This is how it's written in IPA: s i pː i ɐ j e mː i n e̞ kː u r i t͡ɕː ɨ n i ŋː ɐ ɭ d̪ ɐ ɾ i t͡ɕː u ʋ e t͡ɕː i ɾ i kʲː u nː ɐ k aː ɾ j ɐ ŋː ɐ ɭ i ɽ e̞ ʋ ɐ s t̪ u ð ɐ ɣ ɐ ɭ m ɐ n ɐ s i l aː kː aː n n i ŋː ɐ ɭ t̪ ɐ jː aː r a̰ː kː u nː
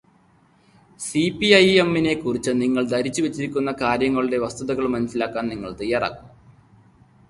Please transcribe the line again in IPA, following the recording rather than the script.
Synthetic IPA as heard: s i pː i ɐ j e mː i n e̞ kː u r i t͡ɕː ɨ n i ŋː ɐ ɭ d̪ ɐ ɾ i t͡ɕː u ʋ e t͡ɕː i ɾ i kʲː u nː ɐ k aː ɾ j ɐ ŋː ɐ ɭ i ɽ e̞ ʋ ɐ s t̪ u ð ɐ ɣ ɐ ɭ m ɐ n ɐ s i l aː kː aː n n i ŋː ɐ ɭ t̪ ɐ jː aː r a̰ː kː u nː